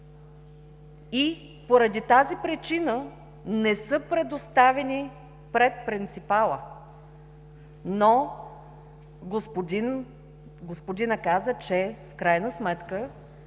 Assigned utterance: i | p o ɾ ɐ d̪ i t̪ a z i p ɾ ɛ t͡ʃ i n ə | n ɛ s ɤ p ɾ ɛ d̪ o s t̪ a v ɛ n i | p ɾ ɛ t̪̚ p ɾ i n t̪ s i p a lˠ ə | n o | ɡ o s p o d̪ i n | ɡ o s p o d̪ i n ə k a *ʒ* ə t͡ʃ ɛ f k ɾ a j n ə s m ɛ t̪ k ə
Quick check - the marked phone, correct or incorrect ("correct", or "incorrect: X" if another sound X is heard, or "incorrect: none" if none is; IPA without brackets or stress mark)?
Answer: incorrect: z